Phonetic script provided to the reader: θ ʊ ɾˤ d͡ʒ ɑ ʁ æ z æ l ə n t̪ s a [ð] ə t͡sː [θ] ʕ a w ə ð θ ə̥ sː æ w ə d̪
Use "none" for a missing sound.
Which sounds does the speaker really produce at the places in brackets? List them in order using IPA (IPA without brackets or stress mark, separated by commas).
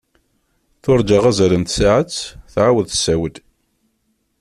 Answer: ʕ, θ